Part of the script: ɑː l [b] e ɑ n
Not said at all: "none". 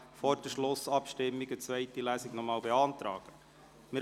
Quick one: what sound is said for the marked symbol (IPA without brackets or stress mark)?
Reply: b